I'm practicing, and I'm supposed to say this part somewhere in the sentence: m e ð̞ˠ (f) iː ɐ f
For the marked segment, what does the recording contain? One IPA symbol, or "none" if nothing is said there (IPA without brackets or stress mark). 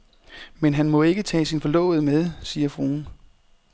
s